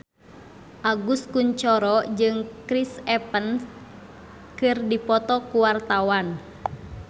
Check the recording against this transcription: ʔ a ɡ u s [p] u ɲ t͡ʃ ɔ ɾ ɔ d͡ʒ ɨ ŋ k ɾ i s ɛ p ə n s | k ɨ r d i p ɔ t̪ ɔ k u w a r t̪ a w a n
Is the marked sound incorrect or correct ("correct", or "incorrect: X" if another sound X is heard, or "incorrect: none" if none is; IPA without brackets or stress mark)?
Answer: incorrect: k